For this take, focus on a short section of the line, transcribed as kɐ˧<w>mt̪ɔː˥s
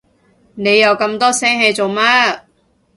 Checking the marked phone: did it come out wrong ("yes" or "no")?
yes